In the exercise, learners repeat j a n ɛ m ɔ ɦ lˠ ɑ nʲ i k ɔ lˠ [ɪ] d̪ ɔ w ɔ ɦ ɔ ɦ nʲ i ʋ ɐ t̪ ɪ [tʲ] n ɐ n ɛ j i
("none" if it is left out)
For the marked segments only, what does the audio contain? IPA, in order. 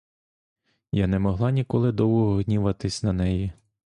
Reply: ɪ, sʲ

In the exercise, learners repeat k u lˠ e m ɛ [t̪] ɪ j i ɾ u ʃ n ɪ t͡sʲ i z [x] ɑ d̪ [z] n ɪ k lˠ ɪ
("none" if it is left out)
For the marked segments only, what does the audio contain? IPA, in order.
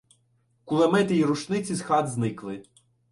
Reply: t̪, x, z

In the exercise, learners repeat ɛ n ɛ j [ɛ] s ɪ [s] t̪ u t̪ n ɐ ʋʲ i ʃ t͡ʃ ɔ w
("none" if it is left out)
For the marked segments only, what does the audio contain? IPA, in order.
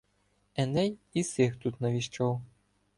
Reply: i, x

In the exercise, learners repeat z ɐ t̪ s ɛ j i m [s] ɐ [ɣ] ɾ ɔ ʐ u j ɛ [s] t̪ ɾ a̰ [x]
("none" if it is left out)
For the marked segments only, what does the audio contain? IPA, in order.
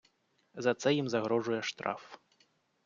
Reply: z, ɣ, ʂ, f

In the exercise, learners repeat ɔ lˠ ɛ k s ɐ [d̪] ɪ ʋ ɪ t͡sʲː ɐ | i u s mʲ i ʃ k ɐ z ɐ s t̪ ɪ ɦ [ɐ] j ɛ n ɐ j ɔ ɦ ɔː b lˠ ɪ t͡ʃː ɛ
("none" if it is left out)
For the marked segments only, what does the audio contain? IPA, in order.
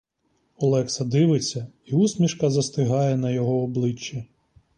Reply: d̪, ɑ

